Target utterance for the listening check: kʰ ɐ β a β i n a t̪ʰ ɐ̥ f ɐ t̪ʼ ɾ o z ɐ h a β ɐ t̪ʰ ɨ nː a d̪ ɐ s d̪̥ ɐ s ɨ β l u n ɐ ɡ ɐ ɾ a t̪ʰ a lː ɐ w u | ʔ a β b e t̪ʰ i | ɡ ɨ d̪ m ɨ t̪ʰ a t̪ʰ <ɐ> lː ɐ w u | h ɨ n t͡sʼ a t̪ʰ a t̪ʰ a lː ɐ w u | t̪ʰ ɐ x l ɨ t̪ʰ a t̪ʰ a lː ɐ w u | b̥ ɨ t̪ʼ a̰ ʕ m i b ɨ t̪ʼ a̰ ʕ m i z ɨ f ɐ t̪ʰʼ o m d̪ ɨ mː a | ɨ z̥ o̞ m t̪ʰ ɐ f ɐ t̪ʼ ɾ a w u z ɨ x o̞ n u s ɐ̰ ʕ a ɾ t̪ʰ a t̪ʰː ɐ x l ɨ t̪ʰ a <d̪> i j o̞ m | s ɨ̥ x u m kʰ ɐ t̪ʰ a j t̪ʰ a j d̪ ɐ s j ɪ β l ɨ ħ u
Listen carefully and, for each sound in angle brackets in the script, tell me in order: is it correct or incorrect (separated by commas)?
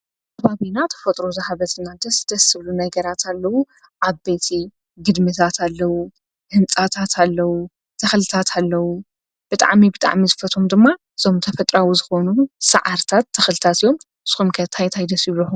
incorrect, incorrect